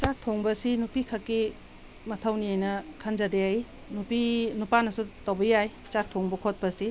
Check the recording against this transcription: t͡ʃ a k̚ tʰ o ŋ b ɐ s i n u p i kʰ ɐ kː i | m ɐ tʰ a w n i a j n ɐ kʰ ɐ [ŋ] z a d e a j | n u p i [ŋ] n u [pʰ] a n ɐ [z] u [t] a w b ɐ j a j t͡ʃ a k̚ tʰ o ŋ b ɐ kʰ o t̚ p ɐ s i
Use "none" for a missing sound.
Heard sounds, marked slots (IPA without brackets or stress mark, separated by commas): n, none, p, s, t